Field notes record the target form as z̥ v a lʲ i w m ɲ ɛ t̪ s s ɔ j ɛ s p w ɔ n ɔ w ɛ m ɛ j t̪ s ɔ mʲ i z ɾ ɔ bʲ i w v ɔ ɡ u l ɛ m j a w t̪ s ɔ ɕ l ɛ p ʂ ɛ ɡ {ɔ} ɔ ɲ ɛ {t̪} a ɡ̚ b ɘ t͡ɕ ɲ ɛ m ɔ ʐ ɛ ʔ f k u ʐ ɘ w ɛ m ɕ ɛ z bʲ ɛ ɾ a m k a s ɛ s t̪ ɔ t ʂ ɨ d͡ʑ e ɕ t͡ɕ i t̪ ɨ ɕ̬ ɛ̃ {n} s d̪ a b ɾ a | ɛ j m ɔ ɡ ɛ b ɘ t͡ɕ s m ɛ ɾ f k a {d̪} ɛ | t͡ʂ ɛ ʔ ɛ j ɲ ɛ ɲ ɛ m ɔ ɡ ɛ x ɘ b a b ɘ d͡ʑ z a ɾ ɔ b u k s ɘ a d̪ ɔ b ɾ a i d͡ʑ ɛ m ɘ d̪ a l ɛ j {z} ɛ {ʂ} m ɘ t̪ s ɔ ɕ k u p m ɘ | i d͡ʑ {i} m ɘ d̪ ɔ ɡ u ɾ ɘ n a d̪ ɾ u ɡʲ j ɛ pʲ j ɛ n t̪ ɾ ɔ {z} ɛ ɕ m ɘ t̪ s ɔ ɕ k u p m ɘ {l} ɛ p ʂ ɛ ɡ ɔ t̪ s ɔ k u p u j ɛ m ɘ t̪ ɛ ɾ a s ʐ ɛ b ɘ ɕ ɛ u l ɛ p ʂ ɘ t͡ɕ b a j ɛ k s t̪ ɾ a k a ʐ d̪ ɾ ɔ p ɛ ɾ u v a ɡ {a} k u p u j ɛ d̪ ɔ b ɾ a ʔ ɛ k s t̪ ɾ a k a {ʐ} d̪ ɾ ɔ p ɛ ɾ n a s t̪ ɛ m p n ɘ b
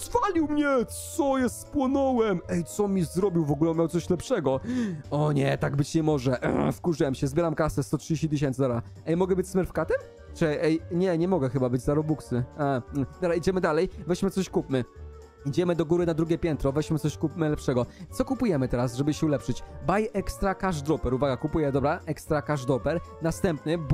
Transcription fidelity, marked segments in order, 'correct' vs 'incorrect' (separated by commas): correct, correct, correct, incorrect, incorrect, incorrect, incorrect, incorrect, correct, correct, correct